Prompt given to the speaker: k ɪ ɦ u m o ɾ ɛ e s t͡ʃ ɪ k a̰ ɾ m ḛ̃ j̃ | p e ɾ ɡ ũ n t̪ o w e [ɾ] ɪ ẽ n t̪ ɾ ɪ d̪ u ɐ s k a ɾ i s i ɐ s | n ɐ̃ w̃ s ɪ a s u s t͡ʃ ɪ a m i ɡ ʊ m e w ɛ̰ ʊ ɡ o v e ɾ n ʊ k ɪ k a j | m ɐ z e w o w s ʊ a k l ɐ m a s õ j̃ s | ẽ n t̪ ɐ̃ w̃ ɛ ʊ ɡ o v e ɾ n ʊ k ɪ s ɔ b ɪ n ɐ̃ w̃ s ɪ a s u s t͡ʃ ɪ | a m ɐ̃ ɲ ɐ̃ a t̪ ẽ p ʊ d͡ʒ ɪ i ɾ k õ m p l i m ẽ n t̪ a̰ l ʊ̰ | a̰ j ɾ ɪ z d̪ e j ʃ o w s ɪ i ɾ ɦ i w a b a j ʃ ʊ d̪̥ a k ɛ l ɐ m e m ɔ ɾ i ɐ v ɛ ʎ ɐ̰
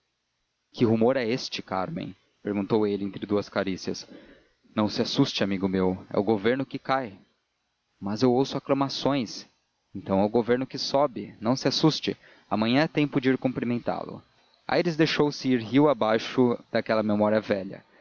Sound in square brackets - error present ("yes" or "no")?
yes